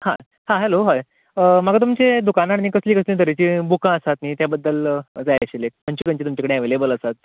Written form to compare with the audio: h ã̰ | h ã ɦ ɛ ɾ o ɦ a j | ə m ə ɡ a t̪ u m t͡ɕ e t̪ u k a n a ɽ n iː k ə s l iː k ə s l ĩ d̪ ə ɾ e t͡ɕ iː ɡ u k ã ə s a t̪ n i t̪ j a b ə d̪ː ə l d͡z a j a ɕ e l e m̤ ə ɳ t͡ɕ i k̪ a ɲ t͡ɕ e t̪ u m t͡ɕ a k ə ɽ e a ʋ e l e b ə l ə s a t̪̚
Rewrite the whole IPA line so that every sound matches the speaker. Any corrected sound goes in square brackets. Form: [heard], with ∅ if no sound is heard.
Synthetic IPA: h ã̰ | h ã ɦ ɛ [l] o ɦ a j | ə m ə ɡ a t̪ u m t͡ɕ e [d̪] u k a n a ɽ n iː k ə s l iː k ə s l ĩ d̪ ə ɾ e t͡ɕ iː [b] u k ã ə s a t̪ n i t̪ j a b ə d̪ː ə l d͡z a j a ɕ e l e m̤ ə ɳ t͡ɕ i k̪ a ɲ t͡ɕ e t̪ u m t͡ɕ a k ə ɽ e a ʋ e l e b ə l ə s a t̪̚